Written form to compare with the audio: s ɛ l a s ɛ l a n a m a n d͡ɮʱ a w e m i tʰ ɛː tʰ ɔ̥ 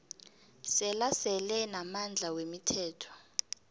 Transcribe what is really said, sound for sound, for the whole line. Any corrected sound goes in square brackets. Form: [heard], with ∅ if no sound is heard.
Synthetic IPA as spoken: s ɛ l a s ɛ l [ɛ] n a m a n d͡ɮʱ a w e m i tʰ ɛː tʰ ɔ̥